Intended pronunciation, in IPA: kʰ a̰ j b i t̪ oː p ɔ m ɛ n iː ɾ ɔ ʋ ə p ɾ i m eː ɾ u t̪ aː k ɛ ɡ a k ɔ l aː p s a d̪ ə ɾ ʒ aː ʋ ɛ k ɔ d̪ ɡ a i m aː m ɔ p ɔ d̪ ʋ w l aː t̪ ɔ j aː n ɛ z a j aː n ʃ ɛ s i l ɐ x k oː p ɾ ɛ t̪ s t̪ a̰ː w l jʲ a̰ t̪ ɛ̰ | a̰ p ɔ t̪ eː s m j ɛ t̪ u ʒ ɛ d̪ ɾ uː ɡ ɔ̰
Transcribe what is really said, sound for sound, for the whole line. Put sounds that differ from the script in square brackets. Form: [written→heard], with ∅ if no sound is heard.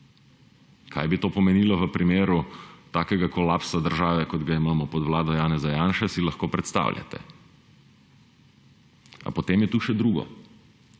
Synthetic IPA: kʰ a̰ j b i t̪ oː p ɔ m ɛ n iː [ɾ→l] ɔ ʋ ə p ɾ i m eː ɾ u t̪ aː k ɛ ɡ a k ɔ l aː p s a d̪ ə ɾ ʒ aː ʋ ɛ k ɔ d̪ ɡ a i m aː m ɔ p ɔ d̪ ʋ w l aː [t̪→d̪] ɔ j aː n ɛ z a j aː n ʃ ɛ s i l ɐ x k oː p ɾ ɛ t̪ s t̪ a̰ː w l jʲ a̰ t̪ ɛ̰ | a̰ p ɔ t̪ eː [s→∅] m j ɛ t̪ u [ʒ→ʃ] ɛ d̪ ɾ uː ɡ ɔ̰